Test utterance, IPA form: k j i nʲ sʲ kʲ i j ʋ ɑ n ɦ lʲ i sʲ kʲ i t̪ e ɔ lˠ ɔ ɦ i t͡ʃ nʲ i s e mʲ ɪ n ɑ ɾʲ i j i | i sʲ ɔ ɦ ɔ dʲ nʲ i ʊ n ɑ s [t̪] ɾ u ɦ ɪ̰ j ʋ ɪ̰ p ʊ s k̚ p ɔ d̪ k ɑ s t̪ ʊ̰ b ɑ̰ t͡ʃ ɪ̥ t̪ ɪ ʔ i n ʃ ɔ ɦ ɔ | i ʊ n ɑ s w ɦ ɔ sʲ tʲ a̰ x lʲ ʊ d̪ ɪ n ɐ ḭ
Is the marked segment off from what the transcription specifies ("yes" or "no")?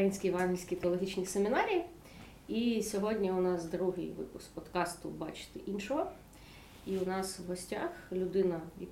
yes